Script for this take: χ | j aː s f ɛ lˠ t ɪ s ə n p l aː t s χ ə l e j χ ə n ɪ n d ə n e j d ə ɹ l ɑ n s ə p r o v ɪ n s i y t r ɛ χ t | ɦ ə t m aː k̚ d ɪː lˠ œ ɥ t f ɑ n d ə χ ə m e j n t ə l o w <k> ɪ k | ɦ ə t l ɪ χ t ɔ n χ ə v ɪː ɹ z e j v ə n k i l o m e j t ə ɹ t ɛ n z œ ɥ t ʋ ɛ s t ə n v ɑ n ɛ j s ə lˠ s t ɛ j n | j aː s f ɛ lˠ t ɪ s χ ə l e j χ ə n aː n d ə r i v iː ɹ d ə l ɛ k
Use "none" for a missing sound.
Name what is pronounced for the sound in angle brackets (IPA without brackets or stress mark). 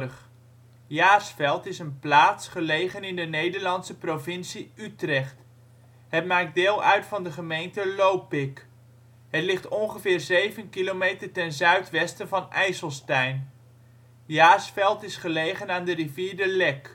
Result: p